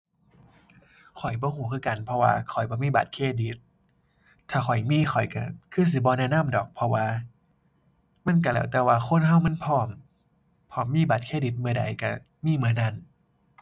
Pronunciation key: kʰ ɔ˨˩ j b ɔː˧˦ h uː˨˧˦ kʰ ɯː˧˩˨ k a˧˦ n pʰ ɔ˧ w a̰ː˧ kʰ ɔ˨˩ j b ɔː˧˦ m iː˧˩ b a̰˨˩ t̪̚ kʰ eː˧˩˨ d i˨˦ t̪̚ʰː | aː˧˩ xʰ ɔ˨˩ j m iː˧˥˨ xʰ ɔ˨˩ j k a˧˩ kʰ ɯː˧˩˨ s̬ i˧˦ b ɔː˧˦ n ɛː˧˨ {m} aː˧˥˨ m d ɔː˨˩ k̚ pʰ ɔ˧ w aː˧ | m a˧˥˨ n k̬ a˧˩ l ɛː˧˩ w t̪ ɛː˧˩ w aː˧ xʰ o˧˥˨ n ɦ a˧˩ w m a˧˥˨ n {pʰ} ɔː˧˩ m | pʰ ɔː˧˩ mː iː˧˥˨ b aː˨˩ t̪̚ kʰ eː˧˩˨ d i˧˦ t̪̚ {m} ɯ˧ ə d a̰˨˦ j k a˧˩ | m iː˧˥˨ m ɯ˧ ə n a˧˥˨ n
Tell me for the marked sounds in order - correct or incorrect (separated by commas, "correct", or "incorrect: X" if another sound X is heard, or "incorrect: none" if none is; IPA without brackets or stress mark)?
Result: incorrect: n, correct, correct